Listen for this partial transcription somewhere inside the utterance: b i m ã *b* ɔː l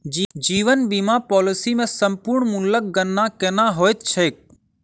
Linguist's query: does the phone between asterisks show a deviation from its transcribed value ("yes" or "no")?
yes